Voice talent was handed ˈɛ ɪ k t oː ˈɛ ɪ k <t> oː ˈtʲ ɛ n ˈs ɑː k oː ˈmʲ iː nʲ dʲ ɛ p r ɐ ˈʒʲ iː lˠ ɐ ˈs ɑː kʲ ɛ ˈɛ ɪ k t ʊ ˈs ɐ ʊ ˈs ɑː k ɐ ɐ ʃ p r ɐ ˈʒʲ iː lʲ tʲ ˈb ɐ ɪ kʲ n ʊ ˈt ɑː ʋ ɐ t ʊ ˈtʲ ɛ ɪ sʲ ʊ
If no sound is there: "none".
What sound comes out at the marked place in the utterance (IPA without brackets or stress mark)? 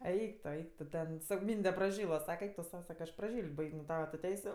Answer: t